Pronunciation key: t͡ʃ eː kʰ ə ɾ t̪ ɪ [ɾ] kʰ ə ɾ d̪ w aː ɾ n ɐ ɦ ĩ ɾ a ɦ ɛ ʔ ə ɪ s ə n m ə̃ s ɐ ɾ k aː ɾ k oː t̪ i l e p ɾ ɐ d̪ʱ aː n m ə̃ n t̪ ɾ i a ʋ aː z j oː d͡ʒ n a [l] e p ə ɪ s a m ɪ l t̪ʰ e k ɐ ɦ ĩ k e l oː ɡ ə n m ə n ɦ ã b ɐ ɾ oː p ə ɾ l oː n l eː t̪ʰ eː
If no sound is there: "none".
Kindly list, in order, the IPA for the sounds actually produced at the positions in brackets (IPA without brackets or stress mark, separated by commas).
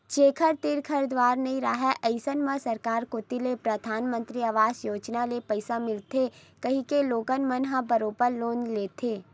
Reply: ɾ, l